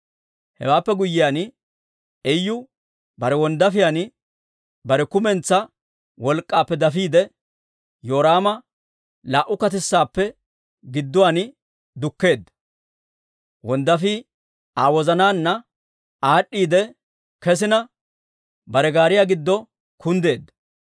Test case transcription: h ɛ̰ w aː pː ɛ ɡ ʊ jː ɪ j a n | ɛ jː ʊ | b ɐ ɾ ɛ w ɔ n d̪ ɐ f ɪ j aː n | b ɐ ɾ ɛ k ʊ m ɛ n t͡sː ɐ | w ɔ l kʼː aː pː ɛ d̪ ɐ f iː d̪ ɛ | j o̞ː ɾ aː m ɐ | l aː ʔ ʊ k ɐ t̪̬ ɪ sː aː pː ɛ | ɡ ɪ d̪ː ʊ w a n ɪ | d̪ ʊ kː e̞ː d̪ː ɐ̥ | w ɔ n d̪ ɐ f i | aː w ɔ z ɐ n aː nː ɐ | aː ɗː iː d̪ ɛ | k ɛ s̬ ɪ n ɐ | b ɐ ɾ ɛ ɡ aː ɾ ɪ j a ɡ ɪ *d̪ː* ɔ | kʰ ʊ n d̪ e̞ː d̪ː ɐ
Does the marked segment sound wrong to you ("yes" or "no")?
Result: no